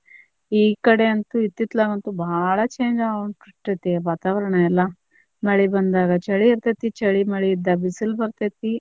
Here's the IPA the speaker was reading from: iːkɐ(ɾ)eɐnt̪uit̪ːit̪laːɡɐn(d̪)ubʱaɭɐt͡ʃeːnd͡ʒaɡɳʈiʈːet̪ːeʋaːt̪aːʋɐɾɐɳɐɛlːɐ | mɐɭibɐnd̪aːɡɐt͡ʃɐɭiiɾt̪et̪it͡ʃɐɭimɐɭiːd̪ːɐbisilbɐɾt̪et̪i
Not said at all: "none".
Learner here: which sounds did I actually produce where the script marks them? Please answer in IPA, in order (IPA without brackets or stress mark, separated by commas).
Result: ɽ, t̪